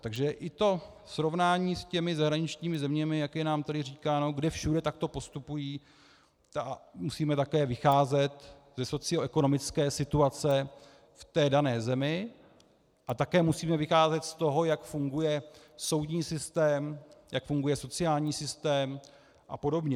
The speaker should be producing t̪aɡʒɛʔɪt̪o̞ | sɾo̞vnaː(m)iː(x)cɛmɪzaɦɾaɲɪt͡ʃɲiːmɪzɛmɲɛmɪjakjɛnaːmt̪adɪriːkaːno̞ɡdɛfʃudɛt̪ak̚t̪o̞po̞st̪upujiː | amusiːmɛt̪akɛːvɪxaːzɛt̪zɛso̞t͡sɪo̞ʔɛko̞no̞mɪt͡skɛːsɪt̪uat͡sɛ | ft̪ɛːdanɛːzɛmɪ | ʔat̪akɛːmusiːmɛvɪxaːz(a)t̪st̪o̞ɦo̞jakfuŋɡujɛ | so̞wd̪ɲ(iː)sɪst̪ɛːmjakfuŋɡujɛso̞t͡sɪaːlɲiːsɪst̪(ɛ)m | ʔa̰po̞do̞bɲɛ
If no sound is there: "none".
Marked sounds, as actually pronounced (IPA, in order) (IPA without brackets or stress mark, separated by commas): ɲ, s, ɛ, iː, ɛː